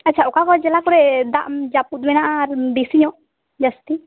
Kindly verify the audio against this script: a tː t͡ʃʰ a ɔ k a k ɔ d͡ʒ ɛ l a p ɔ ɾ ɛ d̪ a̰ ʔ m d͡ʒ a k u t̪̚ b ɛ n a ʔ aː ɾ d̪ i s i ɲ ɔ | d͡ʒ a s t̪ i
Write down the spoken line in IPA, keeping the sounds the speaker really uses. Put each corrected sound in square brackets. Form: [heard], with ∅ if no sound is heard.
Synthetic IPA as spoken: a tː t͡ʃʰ a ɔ k a k ɔ d͡ʒ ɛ l a [k] ɔ ɾ ɛ d̪ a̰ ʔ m d͡ʒ a [p] u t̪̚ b ɛ n a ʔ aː ɾ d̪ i s i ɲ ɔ | d͡ʒ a s t̪ i